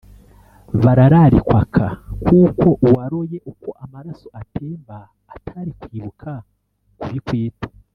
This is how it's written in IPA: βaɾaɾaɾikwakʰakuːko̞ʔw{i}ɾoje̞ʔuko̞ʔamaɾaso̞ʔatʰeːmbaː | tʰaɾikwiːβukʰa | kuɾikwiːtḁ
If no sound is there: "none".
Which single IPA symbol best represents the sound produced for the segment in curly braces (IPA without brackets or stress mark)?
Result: a